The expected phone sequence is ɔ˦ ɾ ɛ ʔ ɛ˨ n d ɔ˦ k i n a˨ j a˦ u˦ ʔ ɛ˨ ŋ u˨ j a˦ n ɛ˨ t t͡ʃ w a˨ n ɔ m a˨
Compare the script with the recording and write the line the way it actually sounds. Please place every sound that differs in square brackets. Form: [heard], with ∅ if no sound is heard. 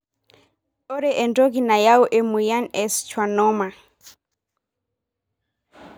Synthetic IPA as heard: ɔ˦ ɾ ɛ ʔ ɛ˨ n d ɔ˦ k i n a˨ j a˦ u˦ ʔ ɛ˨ [m] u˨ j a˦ n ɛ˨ [s] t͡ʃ w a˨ n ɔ m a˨

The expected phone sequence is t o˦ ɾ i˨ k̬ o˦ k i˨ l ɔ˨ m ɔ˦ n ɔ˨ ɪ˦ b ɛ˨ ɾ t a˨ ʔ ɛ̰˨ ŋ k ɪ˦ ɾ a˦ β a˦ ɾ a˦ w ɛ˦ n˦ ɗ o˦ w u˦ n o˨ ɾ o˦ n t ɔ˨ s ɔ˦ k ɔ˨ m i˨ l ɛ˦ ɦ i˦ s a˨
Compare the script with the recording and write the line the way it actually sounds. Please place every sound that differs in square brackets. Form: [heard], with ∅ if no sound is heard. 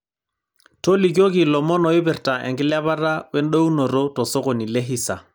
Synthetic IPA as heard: t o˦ [l] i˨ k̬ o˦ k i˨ l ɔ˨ m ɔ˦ n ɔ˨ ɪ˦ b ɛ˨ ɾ t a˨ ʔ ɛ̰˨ ŋ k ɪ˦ [l] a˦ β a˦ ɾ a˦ w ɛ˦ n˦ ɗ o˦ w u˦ n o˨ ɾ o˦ [∅] t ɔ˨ s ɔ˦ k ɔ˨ [n] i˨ l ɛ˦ ɦ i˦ s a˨

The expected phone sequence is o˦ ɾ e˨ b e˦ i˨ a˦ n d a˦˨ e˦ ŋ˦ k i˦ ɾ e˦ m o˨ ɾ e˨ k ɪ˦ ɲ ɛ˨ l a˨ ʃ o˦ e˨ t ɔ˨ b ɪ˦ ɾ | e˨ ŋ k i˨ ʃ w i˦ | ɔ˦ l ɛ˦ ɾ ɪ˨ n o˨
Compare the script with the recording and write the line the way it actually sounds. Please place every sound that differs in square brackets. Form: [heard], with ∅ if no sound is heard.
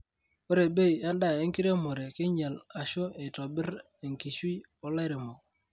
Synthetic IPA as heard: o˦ ɾ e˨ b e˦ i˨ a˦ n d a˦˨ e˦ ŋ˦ k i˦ ɾ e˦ m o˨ ɾ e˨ k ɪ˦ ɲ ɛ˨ l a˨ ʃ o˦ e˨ t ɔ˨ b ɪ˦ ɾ | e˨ ŋ k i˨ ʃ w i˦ | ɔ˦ l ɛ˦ ɾ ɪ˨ [m] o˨

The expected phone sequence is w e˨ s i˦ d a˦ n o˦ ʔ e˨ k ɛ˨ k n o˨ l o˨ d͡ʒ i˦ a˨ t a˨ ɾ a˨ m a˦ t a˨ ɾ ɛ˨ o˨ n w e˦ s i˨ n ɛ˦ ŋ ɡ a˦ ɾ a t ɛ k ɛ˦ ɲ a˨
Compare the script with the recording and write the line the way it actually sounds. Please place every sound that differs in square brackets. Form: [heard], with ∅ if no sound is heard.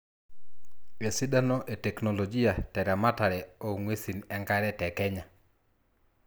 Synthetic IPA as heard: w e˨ s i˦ d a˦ n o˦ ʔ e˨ [t] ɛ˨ k n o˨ l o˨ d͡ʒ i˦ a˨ t [ɛ˨] ɾ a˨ m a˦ t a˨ ɾ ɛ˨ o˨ [ŋ] w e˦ s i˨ n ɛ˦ ŋ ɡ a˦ ɾ [ɛ] t ɛ k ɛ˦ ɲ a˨

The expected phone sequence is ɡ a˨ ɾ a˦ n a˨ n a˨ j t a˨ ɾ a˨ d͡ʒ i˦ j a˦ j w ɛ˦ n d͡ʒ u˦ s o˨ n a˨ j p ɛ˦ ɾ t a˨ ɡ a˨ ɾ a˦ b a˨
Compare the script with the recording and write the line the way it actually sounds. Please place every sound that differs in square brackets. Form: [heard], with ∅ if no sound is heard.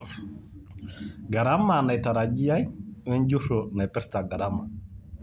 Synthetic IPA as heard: ɡ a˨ ɾ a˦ [m] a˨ n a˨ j t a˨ ɾ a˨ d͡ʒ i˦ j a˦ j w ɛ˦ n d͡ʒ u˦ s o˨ n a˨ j p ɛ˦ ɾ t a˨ ɡ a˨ ɾ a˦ [m] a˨

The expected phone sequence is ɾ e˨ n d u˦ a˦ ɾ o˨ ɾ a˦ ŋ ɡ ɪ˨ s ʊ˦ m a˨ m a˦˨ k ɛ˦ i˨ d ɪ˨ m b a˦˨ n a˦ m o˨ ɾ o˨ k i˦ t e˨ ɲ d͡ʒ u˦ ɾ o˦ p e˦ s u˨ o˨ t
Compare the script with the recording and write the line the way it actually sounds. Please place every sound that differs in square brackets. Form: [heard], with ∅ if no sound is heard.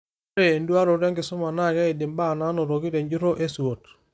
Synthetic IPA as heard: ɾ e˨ n d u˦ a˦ ɾ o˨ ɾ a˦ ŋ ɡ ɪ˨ s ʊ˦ m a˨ [n] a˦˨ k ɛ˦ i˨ d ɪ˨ m b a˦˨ n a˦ [n] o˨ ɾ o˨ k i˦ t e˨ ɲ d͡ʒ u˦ ɾ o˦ [ʔ] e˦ s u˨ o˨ t

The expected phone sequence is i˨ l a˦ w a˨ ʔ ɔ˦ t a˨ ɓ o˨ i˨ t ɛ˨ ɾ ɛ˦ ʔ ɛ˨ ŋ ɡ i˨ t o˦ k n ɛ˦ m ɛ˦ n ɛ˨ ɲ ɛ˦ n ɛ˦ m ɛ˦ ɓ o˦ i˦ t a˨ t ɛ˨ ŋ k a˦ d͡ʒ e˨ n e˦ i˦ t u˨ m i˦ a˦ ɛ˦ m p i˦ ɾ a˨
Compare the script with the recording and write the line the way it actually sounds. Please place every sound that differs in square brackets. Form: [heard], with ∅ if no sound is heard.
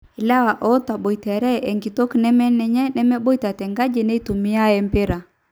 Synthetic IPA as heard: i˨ l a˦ w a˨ ʔ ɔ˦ t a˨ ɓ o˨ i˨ t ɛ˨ ɾ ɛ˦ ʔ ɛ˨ ŋ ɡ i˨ t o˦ k n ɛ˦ m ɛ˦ n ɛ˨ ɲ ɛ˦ n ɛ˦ m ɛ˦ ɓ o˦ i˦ t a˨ t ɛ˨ ŋ [ɡ] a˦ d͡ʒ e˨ n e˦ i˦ t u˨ m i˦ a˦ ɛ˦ m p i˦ ɾ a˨

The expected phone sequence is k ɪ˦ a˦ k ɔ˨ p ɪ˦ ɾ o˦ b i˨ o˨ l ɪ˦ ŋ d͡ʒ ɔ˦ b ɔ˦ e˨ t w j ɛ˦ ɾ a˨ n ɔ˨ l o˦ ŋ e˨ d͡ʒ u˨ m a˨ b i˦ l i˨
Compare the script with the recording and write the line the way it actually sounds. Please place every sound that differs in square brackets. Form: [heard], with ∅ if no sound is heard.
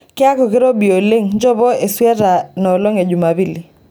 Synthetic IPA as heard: k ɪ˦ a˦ k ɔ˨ [k] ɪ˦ ɾ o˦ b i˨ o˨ l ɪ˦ ŋ d͡ʒ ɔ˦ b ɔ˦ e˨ [s] w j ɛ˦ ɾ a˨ n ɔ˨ l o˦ ŋ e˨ d͡ʒ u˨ m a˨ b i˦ l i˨

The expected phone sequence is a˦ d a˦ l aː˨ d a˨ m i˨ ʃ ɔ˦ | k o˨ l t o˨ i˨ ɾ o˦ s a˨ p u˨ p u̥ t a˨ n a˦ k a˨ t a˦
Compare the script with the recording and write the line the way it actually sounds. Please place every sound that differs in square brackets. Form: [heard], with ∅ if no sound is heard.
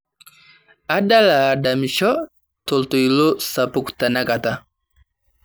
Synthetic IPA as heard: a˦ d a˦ l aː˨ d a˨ m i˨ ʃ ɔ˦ | [t] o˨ l t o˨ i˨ [l] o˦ s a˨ p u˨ [k] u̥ t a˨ n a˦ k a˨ t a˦

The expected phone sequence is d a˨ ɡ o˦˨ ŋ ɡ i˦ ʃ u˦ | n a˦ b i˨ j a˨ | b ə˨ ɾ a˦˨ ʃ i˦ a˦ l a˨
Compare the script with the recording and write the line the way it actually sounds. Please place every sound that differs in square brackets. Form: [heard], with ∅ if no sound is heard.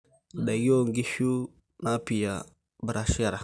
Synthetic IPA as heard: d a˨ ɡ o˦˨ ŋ ɡ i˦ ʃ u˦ | n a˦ [p] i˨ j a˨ | b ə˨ ɾ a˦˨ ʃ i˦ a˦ [ɾ] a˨

